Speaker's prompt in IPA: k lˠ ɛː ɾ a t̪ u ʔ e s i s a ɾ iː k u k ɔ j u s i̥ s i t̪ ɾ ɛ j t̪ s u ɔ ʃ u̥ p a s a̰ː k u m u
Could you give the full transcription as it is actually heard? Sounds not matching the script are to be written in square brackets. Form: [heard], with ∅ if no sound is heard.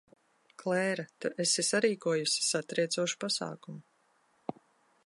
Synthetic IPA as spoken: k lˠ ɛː ɾ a t̪ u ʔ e s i s a ɾ iː k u [∅] ɔ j u s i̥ s [a] t̪ ɾ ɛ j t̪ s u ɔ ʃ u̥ p a s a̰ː k u m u